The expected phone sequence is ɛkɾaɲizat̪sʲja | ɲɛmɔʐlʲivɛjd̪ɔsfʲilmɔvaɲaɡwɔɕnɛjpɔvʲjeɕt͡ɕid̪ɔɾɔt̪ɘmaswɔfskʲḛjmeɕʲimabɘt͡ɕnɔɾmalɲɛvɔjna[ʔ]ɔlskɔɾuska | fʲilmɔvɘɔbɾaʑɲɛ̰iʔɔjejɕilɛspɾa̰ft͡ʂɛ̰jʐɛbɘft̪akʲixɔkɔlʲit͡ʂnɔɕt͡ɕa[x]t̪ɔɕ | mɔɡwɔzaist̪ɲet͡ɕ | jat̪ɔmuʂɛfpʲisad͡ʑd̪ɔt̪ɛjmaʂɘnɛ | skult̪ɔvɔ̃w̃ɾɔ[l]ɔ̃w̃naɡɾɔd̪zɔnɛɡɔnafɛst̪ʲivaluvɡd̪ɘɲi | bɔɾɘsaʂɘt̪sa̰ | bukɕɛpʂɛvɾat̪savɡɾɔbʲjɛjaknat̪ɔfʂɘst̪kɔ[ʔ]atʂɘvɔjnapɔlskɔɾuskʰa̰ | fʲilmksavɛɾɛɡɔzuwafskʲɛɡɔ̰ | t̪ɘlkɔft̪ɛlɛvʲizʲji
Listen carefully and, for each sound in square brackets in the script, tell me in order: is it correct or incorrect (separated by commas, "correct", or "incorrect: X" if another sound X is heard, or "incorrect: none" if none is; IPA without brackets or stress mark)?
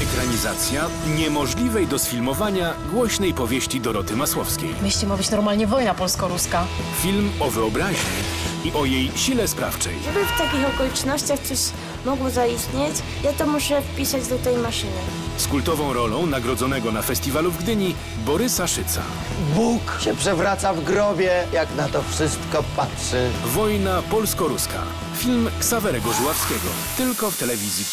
incorrect: p, correct, correct, incorrect: p